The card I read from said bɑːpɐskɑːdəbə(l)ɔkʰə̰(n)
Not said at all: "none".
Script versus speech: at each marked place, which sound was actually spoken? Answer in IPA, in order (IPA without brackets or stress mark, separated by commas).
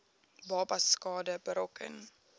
ɾ, n